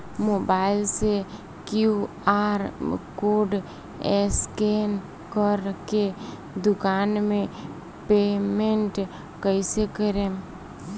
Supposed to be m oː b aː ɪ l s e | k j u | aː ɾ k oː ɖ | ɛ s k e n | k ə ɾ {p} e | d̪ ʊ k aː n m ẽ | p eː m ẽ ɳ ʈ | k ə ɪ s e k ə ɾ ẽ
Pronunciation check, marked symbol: incorrect: k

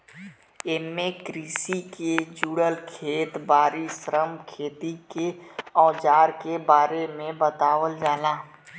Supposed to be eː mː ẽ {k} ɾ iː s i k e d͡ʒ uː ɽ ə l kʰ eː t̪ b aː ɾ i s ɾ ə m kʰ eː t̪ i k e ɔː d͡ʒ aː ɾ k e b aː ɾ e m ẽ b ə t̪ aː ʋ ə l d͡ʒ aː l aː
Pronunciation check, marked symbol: correct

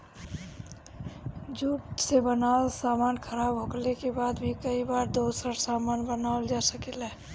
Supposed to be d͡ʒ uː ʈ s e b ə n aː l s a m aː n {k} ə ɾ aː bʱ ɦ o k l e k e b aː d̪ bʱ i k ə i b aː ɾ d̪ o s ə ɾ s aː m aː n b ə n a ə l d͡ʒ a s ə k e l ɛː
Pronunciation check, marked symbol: incorrect: kʰ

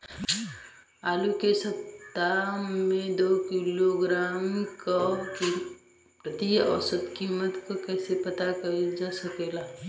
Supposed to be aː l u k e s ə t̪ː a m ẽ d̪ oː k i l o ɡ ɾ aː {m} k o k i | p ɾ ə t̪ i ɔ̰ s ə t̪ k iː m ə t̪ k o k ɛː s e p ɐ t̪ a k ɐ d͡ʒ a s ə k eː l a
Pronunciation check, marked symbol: correct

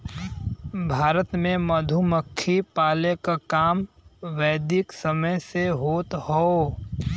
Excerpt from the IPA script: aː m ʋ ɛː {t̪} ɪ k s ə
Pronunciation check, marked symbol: incorrect: d̪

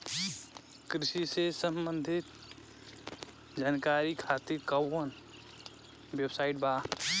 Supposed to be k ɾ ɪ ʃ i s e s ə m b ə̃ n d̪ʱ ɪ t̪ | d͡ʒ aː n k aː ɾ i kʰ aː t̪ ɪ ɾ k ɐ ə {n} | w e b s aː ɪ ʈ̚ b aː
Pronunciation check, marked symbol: correct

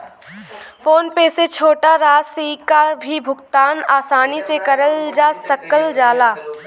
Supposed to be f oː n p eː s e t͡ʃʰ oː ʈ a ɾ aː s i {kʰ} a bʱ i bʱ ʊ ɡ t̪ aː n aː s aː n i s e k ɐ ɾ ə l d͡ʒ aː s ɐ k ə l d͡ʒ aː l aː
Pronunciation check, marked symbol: incorrect: k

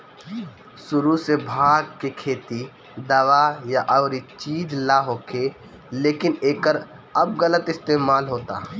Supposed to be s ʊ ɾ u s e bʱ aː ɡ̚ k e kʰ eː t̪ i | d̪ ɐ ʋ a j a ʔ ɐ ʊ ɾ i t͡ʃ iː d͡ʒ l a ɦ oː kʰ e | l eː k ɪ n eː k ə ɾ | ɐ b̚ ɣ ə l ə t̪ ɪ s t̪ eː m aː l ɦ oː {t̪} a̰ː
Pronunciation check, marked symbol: correct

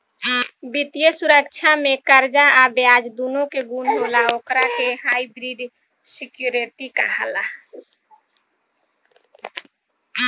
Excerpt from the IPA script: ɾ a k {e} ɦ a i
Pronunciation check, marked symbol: correct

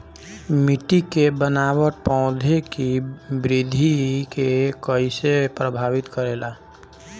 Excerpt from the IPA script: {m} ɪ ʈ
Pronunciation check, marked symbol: correct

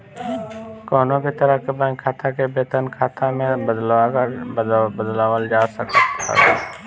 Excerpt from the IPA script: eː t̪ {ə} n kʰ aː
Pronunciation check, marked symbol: correct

